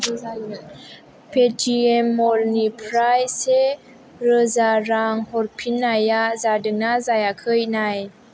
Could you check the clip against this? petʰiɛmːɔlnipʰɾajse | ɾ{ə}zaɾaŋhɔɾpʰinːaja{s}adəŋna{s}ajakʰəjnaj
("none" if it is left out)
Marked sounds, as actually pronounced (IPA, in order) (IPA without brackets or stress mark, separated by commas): ə, z, z